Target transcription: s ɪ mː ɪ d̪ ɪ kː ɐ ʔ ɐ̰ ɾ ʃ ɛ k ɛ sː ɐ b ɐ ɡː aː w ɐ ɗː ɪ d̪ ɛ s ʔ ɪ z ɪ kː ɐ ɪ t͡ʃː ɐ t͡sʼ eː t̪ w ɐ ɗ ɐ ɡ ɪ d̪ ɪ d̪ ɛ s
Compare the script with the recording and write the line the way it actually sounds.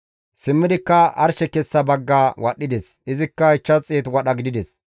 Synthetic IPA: s ɪ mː ɪ d̪ ɪ kː ɐ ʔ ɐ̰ ɾ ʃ ɛ k ɛ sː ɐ b ɐ ɡː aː w ɐ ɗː ɪ d̪ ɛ s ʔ ɪ z ɪ kː ɐ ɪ t͡ʃː ɐ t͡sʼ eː t̪ w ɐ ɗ ɐ ɡ ɪ d̪ ɪ d̪ ɛ s